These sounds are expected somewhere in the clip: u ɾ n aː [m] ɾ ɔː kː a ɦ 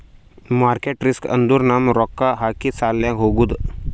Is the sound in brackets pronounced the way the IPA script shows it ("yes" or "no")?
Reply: yes